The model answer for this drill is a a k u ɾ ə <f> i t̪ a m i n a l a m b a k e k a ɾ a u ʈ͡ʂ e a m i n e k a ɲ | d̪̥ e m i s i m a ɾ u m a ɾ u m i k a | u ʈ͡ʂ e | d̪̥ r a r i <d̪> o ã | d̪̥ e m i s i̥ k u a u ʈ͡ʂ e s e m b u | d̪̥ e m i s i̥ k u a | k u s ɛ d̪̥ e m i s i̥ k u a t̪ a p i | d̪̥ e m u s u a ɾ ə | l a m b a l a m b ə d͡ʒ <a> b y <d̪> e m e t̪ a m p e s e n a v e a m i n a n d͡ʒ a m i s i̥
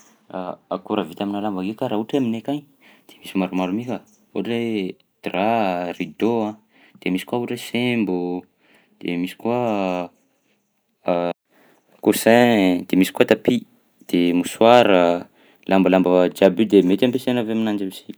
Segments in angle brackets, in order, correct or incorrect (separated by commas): incorrect, correct, correct, correct